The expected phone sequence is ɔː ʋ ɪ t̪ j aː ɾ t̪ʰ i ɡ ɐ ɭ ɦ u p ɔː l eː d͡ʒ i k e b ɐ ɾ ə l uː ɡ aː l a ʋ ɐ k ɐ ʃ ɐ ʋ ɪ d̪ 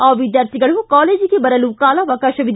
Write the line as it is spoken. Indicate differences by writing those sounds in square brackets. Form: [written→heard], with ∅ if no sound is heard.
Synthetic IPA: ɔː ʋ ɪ [t̪→d̪] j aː ɾ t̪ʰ i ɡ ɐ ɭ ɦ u [p→k] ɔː l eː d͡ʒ i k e b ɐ ɾ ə l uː [ɡ→k] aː l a ʋ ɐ k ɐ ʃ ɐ ʋ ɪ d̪